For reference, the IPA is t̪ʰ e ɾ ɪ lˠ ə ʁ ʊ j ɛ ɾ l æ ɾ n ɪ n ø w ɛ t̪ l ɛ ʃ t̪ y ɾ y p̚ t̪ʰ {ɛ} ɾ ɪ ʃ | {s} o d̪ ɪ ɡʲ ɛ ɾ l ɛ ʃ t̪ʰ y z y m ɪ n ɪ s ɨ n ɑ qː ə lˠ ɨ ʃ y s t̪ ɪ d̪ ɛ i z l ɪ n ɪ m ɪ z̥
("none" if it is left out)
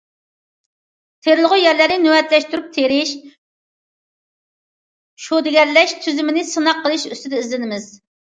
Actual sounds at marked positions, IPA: e, ʃ

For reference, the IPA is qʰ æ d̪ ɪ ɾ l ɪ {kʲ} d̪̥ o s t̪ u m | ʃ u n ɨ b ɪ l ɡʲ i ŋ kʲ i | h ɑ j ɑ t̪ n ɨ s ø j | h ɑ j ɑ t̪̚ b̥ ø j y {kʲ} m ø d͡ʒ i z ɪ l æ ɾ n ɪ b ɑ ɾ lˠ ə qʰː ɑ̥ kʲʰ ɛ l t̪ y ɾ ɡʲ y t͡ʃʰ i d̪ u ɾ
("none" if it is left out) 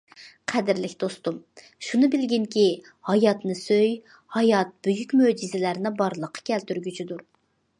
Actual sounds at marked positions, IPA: kʲ, kʲ

